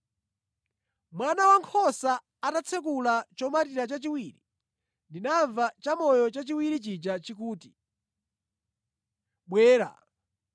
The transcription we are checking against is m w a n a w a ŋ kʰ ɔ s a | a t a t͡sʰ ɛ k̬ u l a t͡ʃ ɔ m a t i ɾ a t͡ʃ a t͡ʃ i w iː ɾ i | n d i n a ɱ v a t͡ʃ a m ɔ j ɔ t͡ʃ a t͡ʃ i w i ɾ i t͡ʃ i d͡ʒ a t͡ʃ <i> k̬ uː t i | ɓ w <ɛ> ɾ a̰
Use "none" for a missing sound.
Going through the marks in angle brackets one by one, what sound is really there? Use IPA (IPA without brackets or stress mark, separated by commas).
i, ɛː